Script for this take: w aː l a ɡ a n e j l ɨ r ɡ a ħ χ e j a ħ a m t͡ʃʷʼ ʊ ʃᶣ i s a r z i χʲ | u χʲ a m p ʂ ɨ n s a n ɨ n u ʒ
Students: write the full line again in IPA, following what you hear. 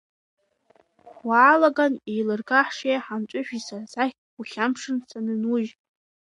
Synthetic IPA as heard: w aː l a ɡ a n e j l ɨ r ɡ a ħ ʂ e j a ħ a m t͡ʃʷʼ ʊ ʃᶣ i s a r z a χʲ | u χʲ a m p ʂ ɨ n s a n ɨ n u ʒ